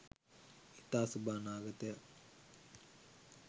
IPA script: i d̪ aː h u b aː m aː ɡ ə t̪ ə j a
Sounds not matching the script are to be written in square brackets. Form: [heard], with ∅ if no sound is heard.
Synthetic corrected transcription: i [t̪] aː [s] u b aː [n] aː ɡ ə t̪ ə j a